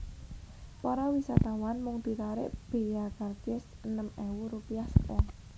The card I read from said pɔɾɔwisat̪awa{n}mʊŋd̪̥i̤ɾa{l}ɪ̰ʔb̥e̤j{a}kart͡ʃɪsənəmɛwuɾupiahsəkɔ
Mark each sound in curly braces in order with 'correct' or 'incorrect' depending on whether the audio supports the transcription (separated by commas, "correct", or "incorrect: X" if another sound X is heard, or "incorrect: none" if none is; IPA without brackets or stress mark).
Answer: correct, incorrect: ɾ, correct